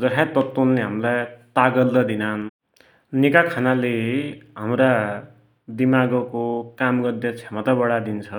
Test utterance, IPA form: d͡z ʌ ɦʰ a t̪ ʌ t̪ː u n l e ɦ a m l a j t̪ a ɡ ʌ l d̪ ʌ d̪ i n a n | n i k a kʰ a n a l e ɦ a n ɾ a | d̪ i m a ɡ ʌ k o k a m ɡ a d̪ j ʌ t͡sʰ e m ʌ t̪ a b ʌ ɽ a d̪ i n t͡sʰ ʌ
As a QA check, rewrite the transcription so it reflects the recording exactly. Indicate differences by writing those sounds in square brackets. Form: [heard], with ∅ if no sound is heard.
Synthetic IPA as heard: d͡z ʌ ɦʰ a t̪ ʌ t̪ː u n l e ɦ a m l a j t̪ a ɡ ʌ l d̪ ʌ d̪ i n a n | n i k a kʰ a n a l e ɦ a [m] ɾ a | d̪ i m a ɡ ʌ k o k a m ɡ [ʌ] d̪ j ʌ t͡sʰ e m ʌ t̪ a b ʌ ɽ a d̪ i n t͡sʰ ʌ